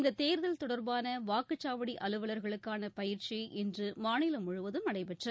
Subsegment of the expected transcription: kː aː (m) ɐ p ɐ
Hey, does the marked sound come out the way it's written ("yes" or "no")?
no